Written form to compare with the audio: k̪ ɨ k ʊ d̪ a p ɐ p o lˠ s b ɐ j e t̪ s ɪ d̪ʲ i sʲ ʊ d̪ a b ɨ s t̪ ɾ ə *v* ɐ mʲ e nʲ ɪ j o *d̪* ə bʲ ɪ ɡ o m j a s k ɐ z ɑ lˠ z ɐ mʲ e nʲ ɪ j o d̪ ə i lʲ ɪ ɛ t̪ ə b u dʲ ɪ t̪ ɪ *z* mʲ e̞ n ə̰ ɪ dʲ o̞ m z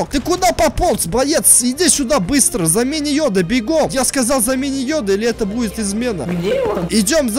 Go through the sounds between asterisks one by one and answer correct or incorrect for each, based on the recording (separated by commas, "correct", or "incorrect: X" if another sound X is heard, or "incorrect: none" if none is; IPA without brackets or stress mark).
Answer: incorrect: z, correct, correct